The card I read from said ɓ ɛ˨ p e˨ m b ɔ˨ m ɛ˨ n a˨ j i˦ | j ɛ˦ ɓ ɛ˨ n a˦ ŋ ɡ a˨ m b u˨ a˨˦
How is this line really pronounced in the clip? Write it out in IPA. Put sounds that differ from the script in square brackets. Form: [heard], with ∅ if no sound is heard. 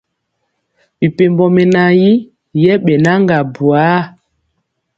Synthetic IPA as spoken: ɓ [i˨] p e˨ m b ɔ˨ m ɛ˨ n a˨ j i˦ | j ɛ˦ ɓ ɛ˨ n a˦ ŋ ɡ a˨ [∅] b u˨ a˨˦